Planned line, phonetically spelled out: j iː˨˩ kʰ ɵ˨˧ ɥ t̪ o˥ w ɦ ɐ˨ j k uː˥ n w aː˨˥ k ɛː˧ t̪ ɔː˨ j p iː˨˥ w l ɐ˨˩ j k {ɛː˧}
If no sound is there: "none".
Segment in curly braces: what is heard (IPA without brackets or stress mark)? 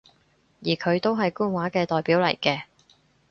ɛː˧